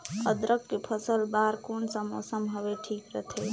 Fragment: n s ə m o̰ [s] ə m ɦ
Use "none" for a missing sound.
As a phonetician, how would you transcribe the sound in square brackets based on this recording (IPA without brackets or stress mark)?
s